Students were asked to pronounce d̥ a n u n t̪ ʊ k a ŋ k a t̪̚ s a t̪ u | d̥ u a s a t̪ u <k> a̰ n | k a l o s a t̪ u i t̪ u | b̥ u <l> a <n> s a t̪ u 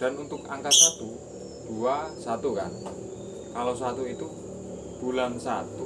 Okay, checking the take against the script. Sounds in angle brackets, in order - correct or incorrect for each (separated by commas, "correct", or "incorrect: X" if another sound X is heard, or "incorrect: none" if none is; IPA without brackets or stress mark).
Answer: correct, correct, correct